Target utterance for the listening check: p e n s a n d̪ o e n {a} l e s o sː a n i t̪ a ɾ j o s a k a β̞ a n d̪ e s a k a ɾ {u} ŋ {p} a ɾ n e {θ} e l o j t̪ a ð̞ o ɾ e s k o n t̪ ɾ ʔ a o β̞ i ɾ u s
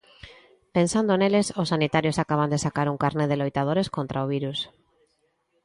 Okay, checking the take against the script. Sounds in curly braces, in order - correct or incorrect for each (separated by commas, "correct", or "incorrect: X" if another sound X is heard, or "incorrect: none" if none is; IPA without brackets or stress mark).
incorrect: e, correct, incorrect: k, incorrect: ð